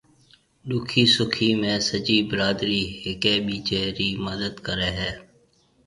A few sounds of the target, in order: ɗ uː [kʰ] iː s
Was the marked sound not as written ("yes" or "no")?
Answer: no